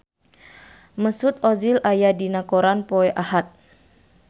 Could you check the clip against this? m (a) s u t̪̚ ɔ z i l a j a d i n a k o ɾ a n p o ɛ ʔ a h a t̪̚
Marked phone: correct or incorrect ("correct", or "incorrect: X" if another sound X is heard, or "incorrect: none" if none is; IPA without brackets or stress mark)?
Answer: incorrect: ə